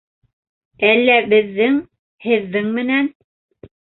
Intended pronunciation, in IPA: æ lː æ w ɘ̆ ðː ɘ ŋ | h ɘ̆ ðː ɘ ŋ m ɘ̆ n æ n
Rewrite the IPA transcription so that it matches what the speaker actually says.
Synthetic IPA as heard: æ lː æ b ɘ̆ ðː ɘ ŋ | h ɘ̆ ðː ɘ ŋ m ɘ̆ n æ n

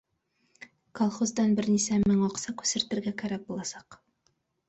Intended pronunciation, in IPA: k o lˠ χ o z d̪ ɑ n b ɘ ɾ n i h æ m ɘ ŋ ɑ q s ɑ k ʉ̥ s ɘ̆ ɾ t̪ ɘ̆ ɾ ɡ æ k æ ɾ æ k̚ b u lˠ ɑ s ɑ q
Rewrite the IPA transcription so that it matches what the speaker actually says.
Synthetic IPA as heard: k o lˠ χ o z d̪ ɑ n b ɘ ɾ n i s æ m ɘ ŋ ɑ q s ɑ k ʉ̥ s ɘ̆ ɾ t̪ ɘ̆ ɾ ɡ æ k æ ɾ æ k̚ b u lˠ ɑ s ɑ q

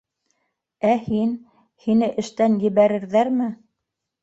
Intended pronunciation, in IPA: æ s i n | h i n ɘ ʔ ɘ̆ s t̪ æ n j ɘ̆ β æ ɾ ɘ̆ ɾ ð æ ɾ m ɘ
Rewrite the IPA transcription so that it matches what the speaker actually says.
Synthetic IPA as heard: æ h i n | h i n ɘ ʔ ɘ̆ ʃ t̪ æ n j ɘ̆ β æ ɾ ɘ̆ ɾ ð æ ɾ m ɘ

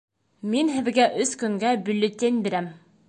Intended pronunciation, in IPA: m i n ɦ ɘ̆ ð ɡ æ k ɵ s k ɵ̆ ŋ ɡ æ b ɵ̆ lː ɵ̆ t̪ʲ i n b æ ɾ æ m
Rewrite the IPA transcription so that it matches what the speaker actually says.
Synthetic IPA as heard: m i n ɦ ɘ̆ ð ɡ æ ʔ ɵ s k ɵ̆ ŋ ɡ æ b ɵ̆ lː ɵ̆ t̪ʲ e n b i ɾ æ m

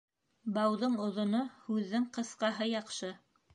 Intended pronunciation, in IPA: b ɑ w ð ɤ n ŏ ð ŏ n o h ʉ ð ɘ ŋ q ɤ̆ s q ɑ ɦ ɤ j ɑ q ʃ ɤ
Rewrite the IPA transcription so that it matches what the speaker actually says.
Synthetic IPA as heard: b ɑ w ð ɤ ɴ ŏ ð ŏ n o h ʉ ðː ɘ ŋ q ɤ̆ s q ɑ ɦ ɤ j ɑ q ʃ ɤ

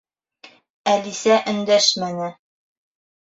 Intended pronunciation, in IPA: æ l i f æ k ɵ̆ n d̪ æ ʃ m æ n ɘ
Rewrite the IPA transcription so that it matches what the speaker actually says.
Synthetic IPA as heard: æ l i s æ ʔ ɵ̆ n d̪ æ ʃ m æ n ɘ

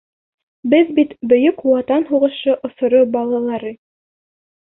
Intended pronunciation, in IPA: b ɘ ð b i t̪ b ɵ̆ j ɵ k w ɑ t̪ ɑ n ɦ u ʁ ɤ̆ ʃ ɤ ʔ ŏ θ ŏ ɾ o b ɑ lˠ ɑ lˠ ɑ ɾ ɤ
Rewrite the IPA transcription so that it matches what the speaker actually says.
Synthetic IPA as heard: b ɘ ð b i t̪ b ɵ̆ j ɵ k w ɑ t̪ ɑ n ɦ u ʁ ɤ̆ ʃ ɤ ʔ ŏ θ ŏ ɾ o b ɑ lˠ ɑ lˠ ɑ ɾ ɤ

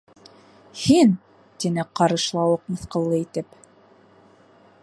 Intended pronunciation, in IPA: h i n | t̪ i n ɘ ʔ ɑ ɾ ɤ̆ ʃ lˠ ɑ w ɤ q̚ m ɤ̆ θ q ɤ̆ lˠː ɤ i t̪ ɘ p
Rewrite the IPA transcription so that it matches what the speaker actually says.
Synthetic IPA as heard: h i n | t̪ i n ɘ q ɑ ɾ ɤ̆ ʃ lˠ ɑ w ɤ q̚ m ɤ̆ θ q ɤ̆ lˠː ɤ i t̪ ɘ p

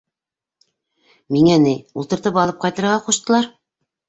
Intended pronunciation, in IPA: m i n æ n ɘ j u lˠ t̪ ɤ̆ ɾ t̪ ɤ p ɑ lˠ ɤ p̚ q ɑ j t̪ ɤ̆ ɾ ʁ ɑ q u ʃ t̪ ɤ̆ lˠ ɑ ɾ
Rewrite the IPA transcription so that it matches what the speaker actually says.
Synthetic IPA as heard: m i ŋ æ n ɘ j u lˠ t̪ ɤ̆ ɾ t̪ ɤ p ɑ lˠ ɤ p̚ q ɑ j t̪ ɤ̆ ɾ ʁ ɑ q u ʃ t̪ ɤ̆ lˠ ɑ ɾ

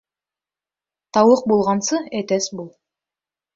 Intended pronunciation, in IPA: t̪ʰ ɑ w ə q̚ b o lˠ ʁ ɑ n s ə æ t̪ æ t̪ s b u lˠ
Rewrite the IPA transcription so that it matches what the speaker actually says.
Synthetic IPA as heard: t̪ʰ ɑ w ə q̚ b o lˠ ʁ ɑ n s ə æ t̪ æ s b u lˠ

